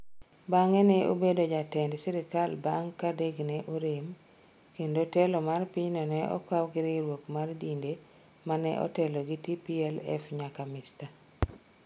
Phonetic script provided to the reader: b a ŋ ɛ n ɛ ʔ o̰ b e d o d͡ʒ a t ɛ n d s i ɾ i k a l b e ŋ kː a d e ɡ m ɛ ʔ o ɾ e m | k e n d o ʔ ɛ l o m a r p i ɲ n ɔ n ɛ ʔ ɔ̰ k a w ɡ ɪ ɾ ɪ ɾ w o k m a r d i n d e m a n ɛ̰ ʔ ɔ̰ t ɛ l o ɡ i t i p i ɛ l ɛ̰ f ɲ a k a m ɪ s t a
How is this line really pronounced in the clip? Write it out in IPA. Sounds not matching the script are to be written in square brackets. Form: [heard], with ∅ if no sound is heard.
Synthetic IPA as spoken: b a ŋ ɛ n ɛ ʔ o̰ b e d o d͡ʒ a t ɛ n d s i ɾ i k a l b [a] ŋ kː a d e ɡ [n] ɛ ʔ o ɾ e m | k e n d o [t] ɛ l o m a r p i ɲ n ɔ n ɛ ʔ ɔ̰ k a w ɡ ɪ ɾ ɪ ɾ w o k m a r d i n d e m a n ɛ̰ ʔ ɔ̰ t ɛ l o ɡ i t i p i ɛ l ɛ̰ f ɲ a k a m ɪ s t a